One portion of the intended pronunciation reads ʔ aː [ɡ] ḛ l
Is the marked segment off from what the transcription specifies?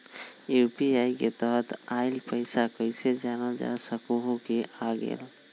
no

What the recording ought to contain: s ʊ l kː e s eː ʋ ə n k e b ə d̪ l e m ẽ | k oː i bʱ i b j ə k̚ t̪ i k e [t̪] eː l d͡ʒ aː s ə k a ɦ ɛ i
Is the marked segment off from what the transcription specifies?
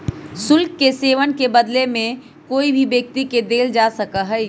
yes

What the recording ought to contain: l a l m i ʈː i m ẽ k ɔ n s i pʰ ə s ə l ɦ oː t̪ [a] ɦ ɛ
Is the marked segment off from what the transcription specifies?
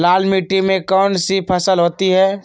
yes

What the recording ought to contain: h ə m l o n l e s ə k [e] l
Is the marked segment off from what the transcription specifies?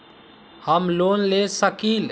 yes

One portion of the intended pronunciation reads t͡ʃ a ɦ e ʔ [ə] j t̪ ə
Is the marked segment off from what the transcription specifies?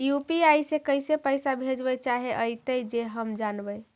no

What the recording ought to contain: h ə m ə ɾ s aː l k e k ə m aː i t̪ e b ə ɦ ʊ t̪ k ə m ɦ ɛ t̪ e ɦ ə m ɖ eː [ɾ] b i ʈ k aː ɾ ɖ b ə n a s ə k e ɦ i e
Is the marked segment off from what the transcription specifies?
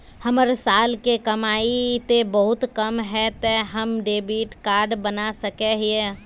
yes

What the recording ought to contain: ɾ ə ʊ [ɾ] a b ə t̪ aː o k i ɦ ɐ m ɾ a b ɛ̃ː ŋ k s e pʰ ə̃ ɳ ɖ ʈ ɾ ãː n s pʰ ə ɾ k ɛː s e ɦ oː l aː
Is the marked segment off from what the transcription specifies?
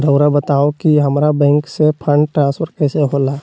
no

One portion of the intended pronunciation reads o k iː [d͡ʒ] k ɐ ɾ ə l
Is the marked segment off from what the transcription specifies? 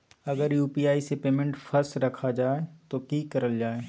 yes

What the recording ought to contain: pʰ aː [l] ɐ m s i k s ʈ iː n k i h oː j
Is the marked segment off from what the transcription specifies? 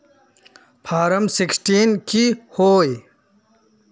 yes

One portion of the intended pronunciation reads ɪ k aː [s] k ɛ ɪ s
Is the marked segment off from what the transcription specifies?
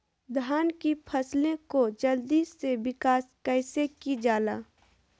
no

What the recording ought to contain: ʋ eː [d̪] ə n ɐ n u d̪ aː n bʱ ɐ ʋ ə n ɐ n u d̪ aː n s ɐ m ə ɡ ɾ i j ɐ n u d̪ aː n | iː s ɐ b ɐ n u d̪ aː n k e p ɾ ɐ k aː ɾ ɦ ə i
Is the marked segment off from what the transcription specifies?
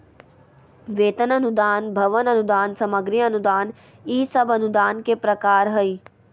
yes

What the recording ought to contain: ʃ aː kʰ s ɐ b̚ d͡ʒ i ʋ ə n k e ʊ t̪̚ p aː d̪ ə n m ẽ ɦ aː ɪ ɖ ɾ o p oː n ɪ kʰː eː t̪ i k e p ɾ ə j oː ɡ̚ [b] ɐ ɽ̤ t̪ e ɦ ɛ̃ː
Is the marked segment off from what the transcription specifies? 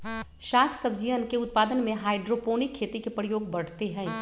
no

